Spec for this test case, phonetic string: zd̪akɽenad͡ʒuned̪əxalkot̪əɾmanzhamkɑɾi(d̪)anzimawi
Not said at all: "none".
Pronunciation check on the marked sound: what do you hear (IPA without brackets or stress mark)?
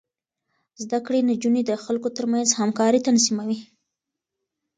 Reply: t̪